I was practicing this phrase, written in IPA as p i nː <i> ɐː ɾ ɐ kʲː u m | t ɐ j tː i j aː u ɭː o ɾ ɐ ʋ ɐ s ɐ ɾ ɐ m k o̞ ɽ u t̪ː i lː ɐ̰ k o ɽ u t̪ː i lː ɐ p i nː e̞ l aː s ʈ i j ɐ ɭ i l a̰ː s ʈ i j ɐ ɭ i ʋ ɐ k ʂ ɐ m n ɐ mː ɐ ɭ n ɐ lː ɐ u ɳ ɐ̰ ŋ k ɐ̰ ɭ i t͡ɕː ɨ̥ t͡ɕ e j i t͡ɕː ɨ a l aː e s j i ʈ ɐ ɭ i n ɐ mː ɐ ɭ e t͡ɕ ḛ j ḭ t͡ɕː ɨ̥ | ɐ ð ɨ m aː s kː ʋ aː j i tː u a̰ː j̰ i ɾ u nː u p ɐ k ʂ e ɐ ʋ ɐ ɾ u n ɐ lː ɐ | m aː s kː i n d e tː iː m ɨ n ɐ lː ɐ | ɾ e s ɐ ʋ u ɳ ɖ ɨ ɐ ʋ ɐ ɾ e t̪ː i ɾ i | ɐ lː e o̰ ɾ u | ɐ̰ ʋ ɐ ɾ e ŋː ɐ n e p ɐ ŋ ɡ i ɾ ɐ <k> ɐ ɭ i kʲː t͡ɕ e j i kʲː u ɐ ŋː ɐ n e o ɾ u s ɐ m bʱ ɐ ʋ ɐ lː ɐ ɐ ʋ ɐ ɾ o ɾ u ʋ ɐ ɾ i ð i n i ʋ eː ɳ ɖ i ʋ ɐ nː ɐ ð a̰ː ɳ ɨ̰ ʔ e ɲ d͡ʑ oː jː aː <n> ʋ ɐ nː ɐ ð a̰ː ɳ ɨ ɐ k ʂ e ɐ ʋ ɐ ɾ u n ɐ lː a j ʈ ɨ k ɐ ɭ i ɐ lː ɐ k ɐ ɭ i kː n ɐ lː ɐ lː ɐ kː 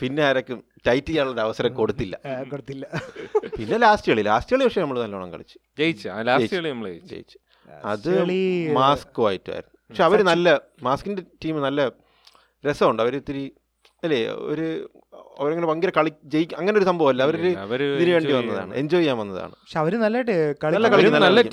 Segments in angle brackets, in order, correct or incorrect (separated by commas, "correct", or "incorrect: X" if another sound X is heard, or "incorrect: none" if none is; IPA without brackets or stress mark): incorrect: e, correct, incorrect: m